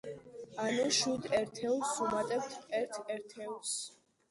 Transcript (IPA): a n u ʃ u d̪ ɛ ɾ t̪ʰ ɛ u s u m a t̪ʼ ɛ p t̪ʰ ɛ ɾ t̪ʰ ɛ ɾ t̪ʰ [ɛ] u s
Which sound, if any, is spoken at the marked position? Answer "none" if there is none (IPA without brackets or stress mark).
ɛ